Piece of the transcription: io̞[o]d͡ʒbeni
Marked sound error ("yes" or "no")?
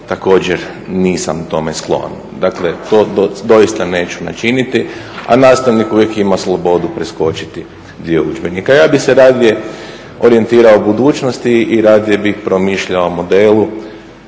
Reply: yes